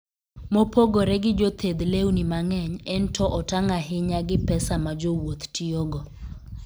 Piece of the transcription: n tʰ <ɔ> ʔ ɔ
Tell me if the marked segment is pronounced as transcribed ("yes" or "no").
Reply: yes